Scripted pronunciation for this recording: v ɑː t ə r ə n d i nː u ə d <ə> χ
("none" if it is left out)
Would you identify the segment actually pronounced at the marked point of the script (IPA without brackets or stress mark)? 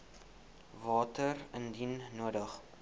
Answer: ə